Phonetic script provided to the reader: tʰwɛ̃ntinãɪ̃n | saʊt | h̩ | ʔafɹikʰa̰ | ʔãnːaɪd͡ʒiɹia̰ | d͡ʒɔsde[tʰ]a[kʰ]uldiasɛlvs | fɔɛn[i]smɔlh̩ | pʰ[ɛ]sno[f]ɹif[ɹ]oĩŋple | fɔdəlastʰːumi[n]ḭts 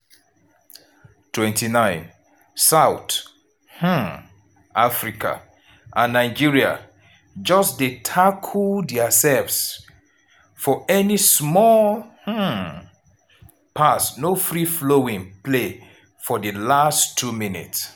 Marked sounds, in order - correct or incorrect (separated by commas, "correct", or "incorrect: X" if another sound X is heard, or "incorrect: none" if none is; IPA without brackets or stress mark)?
correct, correct, correct, incorrect: a, correct, incorrect: l, correct